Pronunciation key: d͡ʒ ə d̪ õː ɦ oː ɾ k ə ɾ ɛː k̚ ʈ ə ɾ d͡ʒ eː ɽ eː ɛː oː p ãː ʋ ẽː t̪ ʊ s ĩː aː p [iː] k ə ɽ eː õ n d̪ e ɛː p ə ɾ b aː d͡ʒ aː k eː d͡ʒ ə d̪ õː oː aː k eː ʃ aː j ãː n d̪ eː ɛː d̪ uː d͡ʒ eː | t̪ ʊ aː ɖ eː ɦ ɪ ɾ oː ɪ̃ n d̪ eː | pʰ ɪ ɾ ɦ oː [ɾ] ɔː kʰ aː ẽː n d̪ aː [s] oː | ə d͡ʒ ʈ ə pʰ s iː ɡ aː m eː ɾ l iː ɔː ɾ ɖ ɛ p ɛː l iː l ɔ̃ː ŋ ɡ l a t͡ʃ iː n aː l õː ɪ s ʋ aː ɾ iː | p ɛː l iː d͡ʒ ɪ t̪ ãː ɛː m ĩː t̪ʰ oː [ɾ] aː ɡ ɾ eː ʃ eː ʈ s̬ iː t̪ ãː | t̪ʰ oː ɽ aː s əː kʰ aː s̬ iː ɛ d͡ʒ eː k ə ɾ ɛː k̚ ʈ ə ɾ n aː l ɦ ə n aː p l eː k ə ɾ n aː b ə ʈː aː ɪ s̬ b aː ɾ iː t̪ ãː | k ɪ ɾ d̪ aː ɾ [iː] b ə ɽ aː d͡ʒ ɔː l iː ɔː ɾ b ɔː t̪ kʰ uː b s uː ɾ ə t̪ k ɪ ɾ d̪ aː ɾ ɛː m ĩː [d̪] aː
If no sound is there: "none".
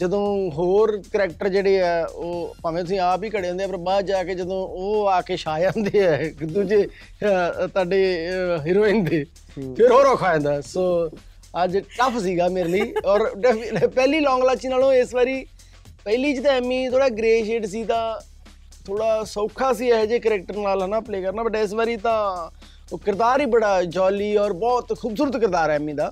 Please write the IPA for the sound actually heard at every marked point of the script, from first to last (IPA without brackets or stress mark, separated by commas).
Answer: iː, ɾ, s, ɽ, iː, d̪